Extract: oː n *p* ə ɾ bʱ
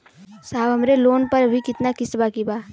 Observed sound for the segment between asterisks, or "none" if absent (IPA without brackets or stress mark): p